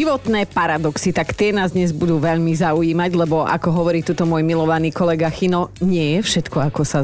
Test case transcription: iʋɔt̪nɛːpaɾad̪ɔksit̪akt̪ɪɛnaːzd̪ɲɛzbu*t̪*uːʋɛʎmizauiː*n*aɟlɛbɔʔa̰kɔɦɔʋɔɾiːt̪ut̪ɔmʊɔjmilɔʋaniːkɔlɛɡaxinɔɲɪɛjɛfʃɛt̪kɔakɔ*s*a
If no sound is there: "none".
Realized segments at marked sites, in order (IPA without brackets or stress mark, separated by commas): d̪, m, s